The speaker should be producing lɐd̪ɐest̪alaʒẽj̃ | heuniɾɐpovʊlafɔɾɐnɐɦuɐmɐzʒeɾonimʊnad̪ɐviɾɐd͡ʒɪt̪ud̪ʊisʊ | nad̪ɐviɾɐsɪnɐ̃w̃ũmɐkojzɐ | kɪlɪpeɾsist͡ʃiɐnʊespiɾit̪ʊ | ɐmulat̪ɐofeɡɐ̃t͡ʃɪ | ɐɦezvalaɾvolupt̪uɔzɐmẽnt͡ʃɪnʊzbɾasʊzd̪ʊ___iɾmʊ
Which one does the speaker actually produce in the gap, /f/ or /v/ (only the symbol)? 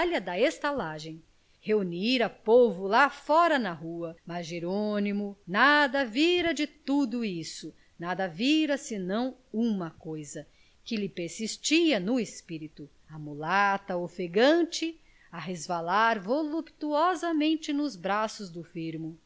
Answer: f